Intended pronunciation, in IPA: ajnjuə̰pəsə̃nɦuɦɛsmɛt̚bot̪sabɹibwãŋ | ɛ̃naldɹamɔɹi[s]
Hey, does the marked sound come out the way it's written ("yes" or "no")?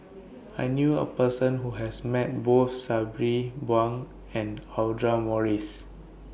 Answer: yes